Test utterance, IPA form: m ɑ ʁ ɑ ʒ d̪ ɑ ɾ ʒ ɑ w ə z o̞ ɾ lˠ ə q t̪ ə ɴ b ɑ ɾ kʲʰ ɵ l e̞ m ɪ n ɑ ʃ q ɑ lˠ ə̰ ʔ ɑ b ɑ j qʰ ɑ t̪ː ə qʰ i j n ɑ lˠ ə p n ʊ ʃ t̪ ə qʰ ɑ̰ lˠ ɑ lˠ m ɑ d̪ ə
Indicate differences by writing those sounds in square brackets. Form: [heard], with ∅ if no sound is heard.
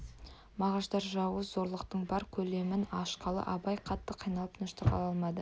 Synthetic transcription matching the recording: m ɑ ʁ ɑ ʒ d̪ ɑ ɾ ʒ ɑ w ə z o̞ ɾ lˠ ə q t̪ ə ɴ b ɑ ɾ kʲʰ ɵ l e̞ m ɪ n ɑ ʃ q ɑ lˠ ə̰ ʔ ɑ b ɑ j qʰ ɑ t̪ː ə qʰ i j n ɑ lˠ ə p n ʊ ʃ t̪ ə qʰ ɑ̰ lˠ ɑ lˠ m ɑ d̪ ə